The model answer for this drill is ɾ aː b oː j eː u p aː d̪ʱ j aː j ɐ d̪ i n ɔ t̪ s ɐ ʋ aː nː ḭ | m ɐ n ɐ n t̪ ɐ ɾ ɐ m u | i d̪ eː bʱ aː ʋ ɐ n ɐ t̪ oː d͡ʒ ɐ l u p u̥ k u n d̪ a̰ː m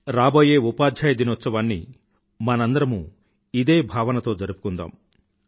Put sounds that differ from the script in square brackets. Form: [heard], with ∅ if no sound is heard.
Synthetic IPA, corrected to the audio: ɾ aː b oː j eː u p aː d̪ʱ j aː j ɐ d̪ i n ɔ t̪ s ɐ ʋ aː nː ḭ | m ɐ n ɐ n [d̪] ɐ ɾ ɐ m u | i d̪ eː bʱ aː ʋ ɐ n ɐ t̪ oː d͡ʒ ɐ [ɾ] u p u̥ k u n d̪ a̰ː m

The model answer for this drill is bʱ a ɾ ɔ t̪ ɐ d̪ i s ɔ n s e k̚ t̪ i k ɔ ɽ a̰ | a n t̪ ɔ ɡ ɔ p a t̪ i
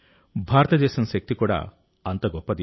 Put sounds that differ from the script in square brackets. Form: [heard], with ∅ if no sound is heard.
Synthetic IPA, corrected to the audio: bʱ a ɾ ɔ t̪ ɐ d̪ [e] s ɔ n s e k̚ t̪ i k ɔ ɽ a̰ | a n t̪ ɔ ɡ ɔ p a [d̪] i

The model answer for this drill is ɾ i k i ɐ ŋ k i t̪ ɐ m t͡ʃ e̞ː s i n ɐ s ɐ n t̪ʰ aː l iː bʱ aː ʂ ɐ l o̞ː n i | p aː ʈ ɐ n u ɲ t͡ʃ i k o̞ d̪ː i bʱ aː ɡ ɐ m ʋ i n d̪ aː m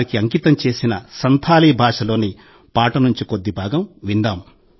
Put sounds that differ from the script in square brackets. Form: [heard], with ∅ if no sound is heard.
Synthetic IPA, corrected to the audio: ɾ i k i ɐ ŋ k i t̪ ɐ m t͡ʃ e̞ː s i n ɐ s ɐ n t̪ʰ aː l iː bʱ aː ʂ ɐ l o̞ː n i | p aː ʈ ɐ n u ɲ t͡ʃ i k o̞ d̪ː i bʱ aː ɡ ɐ m ʋ i n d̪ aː m

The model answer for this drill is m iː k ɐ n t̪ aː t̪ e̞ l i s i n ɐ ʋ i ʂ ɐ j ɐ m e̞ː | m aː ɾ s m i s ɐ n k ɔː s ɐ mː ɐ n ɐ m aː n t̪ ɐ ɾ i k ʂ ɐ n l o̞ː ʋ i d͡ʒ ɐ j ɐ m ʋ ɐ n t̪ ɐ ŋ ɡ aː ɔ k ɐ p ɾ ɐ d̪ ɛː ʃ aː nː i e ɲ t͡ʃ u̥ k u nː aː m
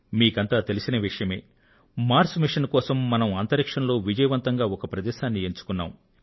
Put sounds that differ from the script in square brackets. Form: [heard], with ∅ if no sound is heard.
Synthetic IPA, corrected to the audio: m iː k ɐ n t̪ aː t̪ e̞ l i s i n ɐ ʋ i ʂ ɐ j ɐ m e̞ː | m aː ɾ s m i [ʂ] ɐ n k ɔː s ɐ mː ɐ n ɐ m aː n t̪ ɐ ɾ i k ʂ ɐ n l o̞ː ʋ i d͡ʒ ɐ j ɐ [∅] ʋ ɐ n t̪ ɐ ŋ ɡ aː ɔ k ɐ p ɾ ɐ d̪ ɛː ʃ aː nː i e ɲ t͡ʃ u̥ k u nː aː m

